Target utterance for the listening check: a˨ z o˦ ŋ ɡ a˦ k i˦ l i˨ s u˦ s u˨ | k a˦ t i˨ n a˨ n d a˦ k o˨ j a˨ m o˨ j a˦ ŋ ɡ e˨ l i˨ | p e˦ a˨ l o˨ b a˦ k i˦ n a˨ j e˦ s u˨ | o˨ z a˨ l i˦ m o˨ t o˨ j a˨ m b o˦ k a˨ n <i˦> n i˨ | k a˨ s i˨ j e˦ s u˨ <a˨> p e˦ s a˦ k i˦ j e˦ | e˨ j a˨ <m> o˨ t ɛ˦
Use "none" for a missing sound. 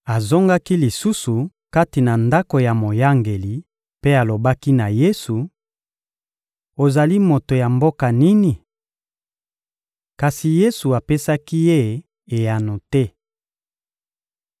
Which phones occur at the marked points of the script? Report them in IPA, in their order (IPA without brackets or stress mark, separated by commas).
i˦, a˨, n